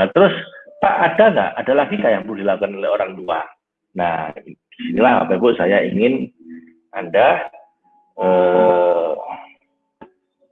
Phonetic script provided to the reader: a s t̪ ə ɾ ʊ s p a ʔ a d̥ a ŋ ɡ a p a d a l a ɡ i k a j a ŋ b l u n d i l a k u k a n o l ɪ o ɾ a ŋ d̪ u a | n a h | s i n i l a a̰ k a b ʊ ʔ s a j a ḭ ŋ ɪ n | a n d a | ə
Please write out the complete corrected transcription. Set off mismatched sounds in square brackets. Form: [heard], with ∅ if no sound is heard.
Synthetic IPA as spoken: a [∅] t̪ ə ɾ ʊ s p a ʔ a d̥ a ŋ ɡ a [ʔ] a d a l a ɡ i k a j a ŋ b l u [∅] d i l a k u k a n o l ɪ o ɾ a ŋ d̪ u a | n a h | s i n i l a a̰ [p] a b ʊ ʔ s a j a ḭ ŋ ɪ n | a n d a | ə

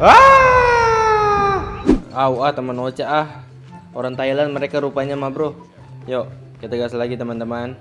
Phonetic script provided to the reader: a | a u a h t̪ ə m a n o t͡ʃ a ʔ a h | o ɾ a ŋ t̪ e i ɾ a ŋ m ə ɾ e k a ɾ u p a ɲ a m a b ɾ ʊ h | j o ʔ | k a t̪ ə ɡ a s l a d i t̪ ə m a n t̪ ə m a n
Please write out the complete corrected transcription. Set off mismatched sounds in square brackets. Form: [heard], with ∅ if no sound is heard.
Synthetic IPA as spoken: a | a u a h t̪ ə m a n o t͡ʃ a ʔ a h | o ɾ a ŋ t̪ [a] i [l] a [n] m ə ɾ e k a ɾ u p a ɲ a m a b ɾ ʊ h | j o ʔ | k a t̪ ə ɡ a s l a [ɡ] i t̪ ə m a n t̪ ə m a n

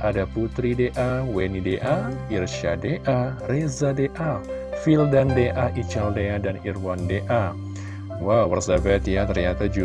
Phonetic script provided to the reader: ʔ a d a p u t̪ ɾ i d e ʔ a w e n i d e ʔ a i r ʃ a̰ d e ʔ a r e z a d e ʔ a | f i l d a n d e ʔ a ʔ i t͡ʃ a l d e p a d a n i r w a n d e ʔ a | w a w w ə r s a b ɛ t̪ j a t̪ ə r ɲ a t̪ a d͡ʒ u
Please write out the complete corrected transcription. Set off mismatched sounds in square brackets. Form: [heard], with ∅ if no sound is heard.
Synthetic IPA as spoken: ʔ a d a p u t̪ ɾ i d e ʔ a w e n i d e ʔ a i r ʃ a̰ d e ʔ a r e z a d e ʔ a | f i l d a n d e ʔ a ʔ i t͡ʃ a l d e [∅] a d a n i r w a n d e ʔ a | w a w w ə r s a b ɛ t̪ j a t̪ ə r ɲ a t̪ a d͡ʒ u

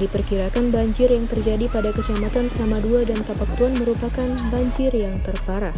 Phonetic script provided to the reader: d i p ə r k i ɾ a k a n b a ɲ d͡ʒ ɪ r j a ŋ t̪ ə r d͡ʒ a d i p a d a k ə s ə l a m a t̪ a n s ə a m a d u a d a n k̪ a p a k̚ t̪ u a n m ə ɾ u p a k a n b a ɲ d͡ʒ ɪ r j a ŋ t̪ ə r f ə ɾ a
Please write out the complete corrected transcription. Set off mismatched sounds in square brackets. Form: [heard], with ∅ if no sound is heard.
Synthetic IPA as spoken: d i p ə r k i ɾ a k a n b a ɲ d͡ʒ ɪ r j a ŋ t̪ ə r d͡ʒ a d i p a d a k ə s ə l a m a t̪ a n s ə a m a d u a d a n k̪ a p a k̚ t̪ u a n m ə ɾ u p a k a n b a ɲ d͡ʒ ɪ r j a ŋ t̪ ə r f [a] ɾ a

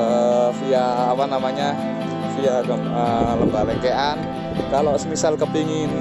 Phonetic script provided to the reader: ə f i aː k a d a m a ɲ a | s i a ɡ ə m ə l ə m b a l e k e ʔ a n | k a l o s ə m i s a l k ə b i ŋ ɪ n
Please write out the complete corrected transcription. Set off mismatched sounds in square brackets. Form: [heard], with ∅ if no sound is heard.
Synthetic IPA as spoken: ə f i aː [p] a [n] a m a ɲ a | [f] i a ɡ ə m ə l ə m b a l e k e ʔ a n | k a l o s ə m i s a l k ə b i ŋ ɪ n

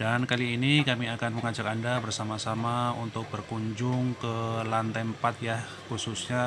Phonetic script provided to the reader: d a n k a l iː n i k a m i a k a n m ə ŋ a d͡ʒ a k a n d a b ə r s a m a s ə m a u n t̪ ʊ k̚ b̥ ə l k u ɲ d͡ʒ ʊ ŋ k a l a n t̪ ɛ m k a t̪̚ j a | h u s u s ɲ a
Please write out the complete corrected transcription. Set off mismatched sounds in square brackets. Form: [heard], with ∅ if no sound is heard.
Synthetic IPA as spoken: d a n k a l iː n i k a m i a k a n m ə ŋ a d͡ʒ a k a n d a b ə r s a m a s [a] m a u n t̪ ʊ k̚ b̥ ə [r] k u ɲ d͡ʒ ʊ ŋ k [ə] l a n t̪ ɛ m [p] a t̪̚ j a | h u s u s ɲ a

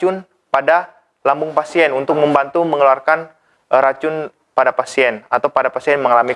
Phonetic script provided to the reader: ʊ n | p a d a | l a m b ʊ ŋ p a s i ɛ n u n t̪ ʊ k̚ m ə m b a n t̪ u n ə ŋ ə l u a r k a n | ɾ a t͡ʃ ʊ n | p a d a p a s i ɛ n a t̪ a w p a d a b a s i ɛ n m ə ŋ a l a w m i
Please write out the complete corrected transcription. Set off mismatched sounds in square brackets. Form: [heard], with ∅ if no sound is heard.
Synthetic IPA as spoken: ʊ n | p a d a | l a m b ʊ ŋ p a s i ɛ n u n t̪ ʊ k̚ m ə m b a n t̪ u [m] ə ŋ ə l u a r k a n | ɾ a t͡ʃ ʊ n | p a d a p a s i ɛ n a t̪ a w p a d a [p] a s i ɛ n m ə ŋ a l a [∅] m i

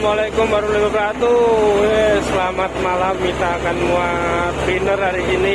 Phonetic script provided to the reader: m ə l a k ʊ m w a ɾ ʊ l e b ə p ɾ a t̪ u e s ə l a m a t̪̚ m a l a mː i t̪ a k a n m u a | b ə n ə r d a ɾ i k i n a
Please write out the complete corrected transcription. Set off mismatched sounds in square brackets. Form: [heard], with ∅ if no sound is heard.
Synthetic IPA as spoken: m [a] l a k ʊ m [b] a ɾ [u] l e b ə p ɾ a t̪ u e s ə l a m a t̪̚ m a l a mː i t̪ a k a n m u a | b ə n ə r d a ɾ i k i n [i]

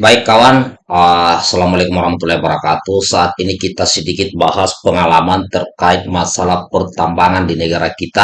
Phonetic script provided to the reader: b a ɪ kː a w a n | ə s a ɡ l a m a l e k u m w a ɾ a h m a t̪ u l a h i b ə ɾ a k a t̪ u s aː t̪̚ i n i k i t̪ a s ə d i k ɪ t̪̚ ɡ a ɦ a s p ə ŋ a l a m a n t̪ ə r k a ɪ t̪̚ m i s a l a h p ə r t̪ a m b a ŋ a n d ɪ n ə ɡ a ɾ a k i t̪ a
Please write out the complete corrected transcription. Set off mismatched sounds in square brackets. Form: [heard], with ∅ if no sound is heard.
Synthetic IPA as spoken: b a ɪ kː a w a n | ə s a [∅] l a m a l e k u m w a ɾ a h m a t̪ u l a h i b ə ɾ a k a t̪ u s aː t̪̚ i n i k i t̪ a s ə d i k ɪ t̪̚ [b] a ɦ a s p ə ŋ a l a m a n t̪ ə r k a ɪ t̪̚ m [a] s a l a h p ə r t̪ a m b a ŋ a n d [i] n ə ɡ a ɾ a k i t̪ a

